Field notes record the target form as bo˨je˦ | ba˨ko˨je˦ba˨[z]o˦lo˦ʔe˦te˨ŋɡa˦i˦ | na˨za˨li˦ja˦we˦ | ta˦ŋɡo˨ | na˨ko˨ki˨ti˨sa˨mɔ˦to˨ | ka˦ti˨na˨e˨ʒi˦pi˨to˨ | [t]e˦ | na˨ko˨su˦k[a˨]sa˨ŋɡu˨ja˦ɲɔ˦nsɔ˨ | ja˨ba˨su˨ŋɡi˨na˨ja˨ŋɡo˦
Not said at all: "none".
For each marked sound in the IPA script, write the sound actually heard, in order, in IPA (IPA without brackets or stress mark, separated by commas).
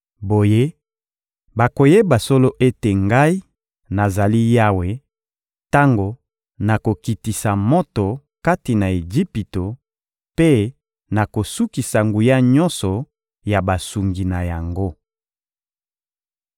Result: s, p, i˨